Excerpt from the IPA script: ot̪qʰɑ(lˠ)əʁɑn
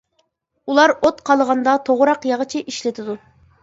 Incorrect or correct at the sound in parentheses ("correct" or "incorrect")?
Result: correct